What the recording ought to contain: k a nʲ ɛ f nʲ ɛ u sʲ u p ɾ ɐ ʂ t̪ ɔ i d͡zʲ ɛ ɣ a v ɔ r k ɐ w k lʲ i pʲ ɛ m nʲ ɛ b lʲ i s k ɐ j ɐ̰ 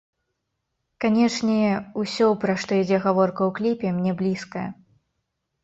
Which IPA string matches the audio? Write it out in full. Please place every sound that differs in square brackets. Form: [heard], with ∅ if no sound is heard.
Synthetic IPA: k a nʲ ɛ [ʂ] nʲ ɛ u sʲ [ɔ] p ɾ ɐ ʂ t̪ ɔ i d͡zʲ ɛ ɣ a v ɔ r k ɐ w k lʲ i pʲ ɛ m nʲ ɛ b lʲ i s k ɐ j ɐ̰

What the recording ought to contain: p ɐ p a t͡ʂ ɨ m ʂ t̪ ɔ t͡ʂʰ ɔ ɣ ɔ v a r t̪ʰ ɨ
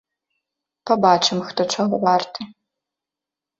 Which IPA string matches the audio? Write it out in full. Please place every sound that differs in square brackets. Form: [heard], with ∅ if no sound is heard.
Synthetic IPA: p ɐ [b] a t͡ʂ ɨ m [x] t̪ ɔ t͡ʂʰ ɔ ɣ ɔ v a r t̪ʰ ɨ

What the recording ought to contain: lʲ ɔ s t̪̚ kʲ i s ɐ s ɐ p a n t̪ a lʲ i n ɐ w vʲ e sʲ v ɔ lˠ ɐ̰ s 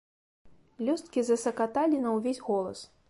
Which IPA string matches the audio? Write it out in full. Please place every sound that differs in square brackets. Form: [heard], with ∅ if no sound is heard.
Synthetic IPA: lʲ ɔ s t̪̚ kʲ i [z] ɐ s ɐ [k] a [∅] t̪ a lʲ i n ɐ w vʲ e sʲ [ɣ] ɔ lˠ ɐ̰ s

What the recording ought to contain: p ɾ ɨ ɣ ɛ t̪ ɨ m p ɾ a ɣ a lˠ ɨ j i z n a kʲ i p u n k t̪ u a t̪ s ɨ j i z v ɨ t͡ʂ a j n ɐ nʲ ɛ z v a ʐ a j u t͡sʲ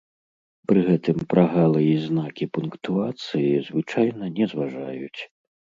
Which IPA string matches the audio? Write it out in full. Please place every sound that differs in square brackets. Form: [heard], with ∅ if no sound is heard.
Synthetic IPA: p ɾ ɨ ɣ ɛ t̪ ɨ m p ɾ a ɣ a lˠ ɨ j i z n a kʲ i p u n k t̪ u a t̪ s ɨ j i z v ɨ t͡ʂ a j n ɐ nʲ ɛ z v a ʐ a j u t͡sʲ

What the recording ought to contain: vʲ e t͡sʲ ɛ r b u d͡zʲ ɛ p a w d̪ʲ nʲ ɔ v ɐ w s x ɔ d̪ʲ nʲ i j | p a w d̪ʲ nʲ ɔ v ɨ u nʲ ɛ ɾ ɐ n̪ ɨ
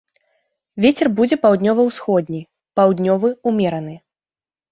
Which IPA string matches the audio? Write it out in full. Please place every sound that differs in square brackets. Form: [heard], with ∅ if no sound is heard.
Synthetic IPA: vʲ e t͡sʲ ɛ r b u d͡zʲ ɛ p a w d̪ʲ nʲ ɔ v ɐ w s x ɔ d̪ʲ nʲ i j | p a w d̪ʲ nʲ ɔ v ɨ u [mʲ] ɛ ɾ ɐ n̪ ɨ

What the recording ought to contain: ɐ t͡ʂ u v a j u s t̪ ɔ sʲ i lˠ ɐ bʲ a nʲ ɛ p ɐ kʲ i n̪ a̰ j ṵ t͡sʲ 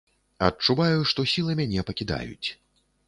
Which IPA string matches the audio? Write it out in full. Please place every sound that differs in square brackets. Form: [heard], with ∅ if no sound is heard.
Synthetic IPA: ɐ t͡ʂ u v a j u [ʂ] t̪ ɔ sʲ i lˠ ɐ [mʲ] a nʲ ɛ p ɐ kʲ i [d̪] a̰ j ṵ t͡sʲ

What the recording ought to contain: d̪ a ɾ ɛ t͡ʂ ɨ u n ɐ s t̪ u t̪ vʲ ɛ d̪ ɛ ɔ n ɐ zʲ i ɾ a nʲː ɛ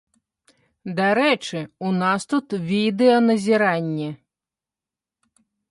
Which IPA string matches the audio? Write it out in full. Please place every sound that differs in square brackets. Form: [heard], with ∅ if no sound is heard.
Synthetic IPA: d̪ a ɾ ɛ t͡ʂ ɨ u n [a] s t̪ u t̪ vʲ [i] d̪ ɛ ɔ n ɐ zʲ i ɾ a nʲː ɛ

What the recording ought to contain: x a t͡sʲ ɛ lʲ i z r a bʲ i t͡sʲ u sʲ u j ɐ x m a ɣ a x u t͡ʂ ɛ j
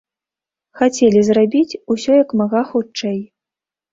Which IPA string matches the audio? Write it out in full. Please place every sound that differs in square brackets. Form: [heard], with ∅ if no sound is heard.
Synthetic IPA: x a t͡sʲ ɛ lʲ i z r a bʲ i t͡sʲ u sʲ [ɔ] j ɐ [k] m a ɣ a x u t͡ʂ ɛ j

